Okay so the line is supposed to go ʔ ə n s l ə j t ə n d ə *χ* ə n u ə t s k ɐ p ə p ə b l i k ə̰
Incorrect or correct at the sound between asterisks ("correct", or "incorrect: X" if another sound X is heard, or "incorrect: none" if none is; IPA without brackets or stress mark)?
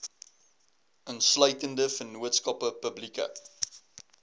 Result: incorrect: f